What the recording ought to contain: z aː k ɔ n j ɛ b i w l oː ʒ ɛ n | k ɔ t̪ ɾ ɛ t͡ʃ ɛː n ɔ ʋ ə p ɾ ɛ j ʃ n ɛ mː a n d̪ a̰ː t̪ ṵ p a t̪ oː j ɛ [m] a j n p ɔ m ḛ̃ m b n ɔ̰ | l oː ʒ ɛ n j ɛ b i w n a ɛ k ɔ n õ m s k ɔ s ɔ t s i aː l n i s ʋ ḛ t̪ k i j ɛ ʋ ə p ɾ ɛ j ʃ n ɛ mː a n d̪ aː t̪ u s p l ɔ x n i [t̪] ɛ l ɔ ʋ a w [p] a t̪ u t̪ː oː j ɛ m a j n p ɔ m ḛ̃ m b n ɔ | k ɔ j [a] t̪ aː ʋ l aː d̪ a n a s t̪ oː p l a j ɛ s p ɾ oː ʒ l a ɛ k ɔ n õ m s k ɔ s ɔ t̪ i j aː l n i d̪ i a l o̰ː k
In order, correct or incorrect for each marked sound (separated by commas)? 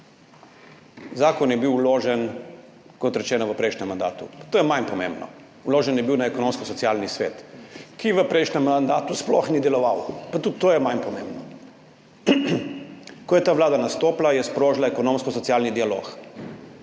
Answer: correct, incorrect, correct, incorrect